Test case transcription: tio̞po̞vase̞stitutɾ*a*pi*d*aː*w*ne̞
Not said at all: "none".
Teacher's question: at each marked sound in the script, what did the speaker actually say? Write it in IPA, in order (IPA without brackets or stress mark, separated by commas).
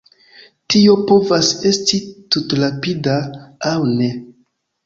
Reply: a, d, w